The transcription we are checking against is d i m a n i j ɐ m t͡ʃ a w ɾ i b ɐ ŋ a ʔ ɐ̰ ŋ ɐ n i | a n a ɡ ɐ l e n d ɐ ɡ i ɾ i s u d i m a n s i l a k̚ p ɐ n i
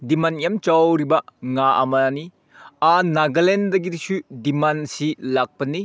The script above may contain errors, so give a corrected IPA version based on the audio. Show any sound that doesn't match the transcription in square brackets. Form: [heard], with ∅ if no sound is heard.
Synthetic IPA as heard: d i m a n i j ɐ m t͡ʃ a w ɾ i b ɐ ŋ a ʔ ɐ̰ [m] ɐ n i | a n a ɡ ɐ l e n d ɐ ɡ i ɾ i s u d i m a n s i l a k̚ p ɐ n i